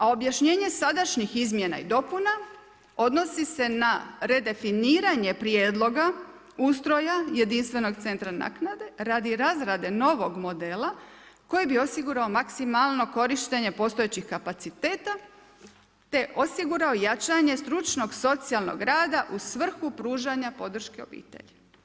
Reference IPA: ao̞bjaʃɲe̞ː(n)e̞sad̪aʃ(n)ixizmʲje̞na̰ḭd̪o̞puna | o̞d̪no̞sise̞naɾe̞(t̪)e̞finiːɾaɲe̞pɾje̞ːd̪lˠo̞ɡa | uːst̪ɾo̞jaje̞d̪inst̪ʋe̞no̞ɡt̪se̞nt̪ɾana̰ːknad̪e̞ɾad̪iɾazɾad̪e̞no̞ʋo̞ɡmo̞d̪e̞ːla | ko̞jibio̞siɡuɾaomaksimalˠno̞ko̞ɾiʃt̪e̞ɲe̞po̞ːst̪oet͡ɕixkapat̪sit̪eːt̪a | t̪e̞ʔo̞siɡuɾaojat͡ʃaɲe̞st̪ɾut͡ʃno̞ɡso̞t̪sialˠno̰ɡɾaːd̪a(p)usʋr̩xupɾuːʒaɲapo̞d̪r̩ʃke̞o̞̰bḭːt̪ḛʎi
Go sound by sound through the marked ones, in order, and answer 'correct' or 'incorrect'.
incorrect, incorrect, incorrect, incorrect

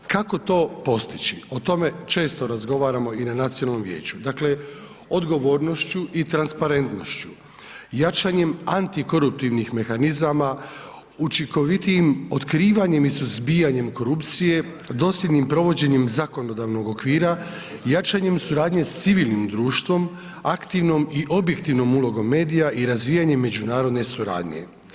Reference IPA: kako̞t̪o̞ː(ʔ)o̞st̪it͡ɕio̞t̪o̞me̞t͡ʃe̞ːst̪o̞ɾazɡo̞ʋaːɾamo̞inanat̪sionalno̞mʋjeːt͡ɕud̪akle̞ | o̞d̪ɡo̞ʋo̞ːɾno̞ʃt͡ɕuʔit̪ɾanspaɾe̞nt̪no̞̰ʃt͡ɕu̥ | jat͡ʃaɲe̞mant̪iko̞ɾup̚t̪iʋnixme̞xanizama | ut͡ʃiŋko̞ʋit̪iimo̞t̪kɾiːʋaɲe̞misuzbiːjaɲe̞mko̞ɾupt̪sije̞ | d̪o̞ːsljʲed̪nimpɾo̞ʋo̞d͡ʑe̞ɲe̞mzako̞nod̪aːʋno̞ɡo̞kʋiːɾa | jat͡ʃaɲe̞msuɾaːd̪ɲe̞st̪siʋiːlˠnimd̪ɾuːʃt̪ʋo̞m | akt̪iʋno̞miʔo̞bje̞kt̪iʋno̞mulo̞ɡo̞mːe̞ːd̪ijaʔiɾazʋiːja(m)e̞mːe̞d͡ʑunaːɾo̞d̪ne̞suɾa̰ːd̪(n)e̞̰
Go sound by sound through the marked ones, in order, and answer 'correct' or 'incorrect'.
incorrect, incorrect, incorrect

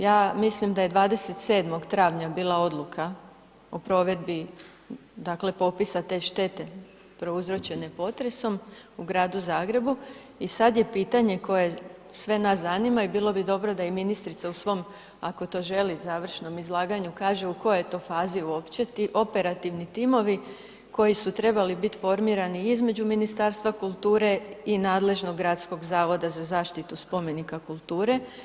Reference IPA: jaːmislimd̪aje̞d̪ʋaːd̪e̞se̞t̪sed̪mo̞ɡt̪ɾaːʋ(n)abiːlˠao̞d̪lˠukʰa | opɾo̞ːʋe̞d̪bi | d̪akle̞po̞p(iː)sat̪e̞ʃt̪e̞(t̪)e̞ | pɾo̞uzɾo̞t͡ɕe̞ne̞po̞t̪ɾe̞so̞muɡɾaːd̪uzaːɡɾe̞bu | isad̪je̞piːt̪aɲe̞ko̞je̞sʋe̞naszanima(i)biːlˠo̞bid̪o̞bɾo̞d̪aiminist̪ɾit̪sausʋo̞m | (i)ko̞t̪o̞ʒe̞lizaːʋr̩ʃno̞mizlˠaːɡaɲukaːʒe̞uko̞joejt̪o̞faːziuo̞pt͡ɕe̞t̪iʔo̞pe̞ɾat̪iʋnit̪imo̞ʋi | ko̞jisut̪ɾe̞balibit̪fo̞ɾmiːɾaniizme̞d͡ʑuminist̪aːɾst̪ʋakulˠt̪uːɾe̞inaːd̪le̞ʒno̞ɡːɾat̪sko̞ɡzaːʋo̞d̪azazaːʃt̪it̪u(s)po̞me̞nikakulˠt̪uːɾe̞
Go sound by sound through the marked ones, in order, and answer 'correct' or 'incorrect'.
incorrect, incorrect, correct, correct, incorrect, correct

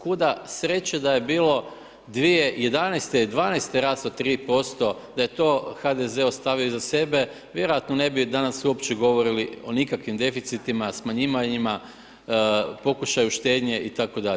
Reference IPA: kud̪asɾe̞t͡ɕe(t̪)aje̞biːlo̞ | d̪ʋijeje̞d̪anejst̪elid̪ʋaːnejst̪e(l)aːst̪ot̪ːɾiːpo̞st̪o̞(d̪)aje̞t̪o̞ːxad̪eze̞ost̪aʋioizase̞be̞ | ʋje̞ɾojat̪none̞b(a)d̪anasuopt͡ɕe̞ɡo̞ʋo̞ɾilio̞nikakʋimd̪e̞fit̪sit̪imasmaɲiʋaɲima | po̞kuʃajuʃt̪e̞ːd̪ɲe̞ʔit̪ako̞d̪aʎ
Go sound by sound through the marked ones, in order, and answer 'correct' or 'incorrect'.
incorrect, incorrect, correct, incorrect

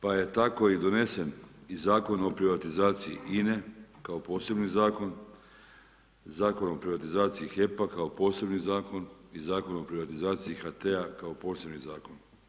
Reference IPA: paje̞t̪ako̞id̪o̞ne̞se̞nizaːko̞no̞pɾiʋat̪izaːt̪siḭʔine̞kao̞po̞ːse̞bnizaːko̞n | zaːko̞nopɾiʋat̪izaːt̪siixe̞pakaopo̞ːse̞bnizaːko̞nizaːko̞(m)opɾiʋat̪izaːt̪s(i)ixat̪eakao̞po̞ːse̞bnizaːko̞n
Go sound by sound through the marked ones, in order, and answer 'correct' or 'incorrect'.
incorrect, correct

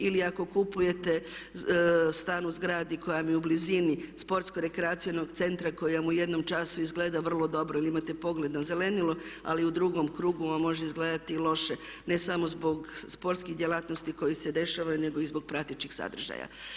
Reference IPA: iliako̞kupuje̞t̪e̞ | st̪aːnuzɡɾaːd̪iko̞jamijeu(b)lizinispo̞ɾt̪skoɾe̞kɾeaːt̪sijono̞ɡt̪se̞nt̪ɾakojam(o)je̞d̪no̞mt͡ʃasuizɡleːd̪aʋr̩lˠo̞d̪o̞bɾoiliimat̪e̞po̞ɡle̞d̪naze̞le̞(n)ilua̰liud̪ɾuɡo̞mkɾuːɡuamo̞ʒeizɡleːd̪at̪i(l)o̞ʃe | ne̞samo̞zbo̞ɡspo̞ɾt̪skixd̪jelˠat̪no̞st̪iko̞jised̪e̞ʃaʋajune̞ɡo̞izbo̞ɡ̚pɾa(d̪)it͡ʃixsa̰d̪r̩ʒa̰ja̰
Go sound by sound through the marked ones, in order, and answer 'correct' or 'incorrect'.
correct, incorrect, correct, correct, incorrect

